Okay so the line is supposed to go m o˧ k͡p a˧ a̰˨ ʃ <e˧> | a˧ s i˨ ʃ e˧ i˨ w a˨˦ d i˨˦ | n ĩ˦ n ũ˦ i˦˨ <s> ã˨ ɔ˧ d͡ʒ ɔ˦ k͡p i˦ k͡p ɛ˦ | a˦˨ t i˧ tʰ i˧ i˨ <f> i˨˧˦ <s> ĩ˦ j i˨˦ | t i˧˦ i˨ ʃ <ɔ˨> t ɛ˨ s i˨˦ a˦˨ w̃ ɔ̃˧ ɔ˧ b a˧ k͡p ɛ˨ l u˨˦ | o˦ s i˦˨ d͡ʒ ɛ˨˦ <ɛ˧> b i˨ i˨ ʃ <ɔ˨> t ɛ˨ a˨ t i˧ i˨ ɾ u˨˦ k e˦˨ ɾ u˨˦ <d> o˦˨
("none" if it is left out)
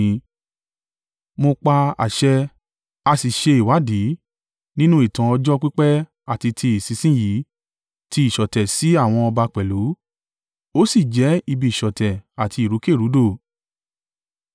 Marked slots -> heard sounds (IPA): ɛ˧, t, s, s, ɔ˨, i˧, ɔ˨, d

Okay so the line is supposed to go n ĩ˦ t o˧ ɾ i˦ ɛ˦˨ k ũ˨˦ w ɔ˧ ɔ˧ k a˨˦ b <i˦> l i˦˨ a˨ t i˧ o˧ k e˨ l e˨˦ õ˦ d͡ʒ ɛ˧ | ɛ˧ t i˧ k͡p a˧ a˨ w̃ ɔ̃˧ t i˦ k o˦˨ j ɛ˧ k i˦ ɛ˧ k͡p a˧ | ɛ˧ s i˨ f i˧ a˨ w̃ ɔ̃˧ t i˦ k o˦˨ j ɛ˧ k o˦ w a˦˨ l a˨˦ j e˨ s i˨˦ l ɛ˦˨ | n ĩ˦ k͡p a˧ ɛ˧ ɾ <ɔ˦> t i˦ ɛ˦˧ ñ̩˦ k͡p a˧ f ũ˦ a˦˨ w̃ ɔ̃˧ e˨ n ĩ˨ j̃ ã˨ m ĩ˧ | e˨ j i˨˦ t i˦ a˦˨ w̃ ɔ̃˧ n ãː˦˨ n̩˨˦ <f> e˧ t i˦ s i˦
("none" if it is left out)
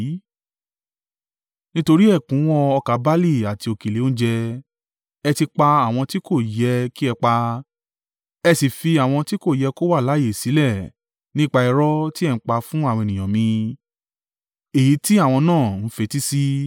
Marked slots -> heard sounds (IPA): a˦, ɔ˦, f

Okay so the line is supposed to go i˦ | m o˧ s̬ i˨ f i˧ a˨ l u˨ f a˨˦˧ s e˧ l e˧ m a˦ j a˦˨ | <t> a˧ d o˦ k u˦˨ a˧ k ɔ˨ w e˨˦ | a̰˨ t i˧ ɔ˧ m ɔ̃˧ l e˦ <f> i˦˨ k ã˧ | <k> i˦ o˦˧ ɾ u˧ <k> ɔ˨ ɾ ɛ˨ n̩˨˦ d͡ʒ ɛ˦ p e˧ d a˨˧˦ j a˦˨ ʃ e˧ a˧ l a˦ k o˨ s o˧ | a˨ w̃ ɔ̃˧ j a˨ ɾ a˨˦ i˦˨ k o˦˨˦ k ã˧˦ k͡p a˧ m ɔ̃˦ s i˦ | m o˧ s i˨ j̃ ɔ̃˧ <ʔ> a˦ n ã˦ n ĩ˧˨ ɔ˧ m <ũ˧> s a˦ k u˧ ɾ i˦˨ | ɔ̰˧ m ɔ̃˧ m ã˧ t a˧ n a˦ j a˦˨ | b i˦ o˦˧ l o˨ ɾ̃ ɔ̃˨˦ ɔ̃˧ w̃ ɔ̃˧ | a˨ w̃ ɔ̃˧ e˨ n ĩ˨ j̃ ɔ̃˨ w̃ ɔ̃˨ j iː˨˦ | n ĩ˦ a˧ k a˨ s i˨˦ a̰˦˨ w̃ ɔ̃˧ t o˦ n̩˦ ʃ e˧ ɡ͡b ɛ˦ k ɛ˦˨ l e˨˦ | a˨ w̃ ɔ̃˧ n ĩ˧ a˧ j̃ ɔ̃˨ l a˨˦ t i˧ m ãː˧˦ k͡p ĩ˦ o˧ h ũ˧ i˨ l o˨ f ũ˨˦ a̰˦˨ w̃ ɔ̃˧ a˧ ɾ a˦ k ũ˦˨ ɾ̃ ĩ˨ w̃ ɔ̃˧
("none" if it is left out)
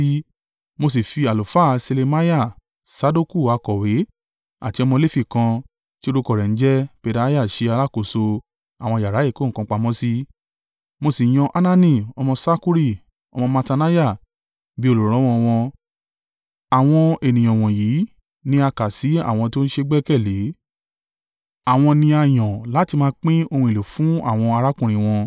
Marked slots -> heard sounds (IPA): s, f, t, k, ʔ, ɔ̃˧

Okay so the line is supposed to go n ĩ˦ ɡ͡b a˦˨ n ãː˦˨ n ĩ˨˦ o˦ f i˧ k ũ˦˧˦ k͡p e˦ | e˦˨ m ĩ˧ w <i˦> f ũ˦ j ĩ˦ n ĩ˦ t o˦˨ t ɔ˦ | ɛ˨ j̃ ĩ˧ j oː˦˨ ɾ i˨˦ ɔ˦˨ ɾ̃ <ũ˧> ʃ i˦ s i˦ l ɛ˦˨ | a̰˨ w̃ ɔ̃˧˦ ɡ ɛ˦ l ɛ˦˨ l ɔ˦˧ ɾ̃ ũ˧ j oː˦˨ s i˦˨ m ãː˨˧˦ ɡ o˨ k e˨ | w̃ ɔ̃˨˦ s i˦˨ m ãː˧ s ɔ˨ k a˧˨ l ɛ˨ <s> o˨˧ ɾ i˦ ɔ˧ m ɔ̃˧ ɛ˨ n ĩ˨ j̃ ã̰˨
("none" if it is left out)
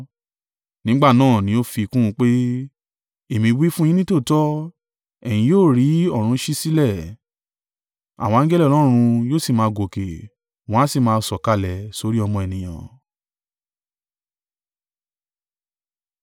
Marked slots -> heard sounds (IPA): i˦, ũ˧, s

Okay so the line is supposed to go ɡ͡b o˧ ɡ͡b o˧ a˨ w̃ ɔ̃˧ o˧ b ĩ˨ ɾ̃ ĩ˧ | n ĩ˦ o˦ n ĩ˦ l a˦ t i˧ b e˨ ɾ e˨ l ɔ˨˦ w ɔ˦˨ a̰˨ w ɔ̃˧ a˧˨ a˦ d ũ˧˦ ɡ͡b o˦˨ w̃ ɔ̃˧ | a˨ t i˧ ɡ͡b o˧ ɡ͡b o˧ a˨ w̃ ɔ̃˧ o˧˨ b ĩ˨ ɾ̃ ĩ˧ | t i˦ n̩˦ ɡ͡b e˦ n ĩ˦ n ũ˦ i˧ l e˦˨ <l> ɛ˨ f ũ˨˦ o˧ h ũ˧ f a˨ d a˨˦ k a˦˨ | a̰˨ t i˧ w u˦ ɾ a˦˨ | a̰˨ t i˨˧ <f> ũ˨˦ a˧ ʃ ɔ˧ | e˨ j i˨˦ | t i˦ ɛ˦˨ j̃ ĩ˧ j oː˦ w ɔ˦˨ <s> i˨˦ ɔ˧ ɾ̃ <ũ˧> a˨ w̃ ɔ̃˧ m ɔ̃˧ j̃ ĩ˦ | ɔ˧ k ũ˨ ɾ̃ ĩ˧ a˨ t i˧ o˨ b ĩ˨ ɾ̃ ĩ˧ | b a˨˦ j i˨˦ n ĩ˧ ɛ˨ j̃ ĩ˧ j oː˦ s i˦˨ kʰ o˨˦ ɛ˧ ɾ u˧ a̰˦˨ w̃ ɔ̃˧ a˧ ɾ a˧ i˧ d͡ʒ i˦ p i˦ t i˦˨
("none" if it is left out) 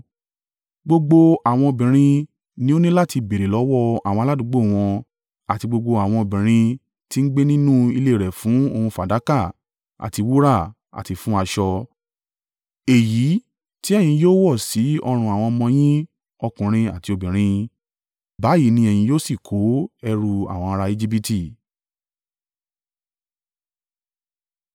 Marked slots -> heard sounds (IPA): ɾ, f, s, ũ˧

